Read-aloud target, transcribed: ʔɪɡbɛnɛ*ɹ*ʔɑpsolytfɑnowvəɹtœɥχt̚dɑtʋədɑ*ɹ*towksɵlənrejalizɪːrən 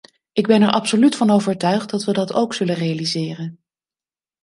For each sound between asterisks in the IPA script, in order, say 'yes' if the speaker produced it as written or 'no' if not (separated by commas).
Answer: yes, no